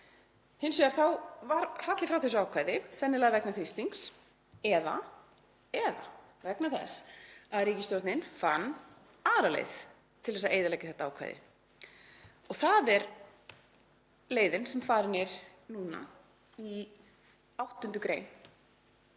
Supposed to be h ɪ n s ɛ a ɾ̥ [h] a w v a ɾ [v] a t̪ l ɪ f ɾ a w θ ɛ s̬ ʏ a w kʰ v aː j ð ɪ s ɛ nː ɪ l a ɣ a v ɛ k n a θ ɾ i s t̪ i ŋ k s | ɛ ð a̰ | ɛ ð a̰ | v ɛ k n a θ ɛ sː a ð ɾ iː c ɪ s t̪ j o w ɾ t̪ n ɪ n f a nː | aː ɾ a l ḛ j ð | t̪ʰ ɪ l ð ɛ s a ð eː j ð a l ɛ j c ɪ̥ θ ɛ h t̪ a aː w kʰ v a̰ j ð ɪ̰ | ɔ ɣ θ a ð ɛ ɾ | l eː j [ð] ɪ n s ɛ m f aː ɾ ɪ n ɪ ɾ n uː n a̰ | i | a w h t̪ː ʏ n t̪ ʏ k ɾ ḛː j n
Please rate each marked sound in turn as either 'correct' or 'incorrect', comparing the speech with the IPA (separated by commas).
incorrect, incorrect, correct